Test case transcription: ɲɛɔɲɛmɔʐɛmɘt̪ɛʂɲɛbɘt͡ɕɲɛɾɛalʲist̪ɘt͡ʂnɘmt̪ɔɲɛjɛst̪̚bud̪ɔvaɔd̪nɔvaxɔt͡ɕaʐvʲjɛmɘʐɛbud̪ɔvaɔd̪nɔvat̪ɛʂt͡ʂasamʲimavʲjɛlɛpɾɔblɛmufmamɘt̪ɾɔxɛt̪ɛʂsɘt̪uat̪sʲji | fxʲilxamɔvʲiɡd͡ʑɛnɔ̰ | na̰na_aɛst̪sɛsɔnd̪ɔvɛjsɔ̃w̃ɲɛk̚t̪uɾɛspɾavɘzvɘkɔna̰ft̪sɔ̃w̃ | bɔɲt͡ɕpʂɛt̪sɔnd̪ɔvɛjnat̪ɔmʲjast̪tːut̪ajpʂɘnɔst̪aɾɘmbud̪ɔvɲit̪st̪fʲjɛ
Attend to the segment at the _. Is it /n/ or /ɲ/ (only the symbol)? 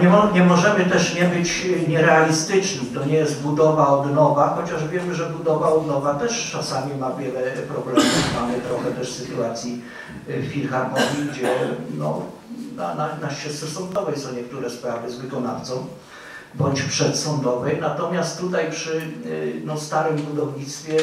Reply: n